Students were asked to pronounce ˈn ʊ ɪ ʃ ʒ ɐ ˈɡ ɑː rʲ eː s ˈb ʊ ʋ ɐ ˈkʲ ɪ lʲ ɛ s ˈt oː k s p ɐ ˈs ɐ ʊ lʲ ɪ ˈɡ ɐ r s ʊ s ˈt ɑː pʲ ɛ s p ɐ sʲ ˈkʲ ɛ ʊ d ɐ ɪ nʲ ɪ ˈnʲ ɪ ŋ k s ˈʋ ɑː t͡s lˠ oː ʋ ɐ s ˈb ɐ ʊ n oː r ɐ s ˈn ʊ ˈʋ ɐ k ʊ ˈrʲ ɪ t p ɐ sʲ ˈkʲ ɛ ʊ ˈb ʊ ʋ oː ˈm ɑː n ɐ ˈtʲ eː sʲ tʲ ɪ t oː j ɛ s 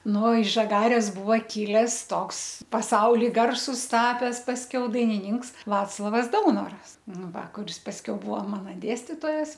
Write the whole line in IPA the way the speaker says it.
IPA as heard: ˈn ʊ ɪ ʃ ʒ ɐ ˈɡ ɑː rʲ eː s ˈb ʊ ʋ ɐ ˈkʲ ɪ lʲ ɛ s ˈt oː k s p ɐ ˈs ɐ ʊ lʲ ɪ ˈɡ ɐ r s ʊ s ˈt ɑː pʲ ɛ s p ɐ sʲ ˈkʲ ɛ ʊ d ɐ ɪ nʲ ɪ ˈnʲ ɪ ŋ k s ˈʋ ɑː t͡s lˠ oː ʋ ɐ s ˈd ɐ ʊ n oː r ɐ s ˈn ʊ ˈʋ ɐ k ʊ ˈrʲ ɪ s p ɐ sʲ ˈkʲ ɛ ʊ ˈb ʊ ʋ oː ˈm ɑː n ɐ ˈdʲ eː sʲ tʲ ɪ t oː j ɛ s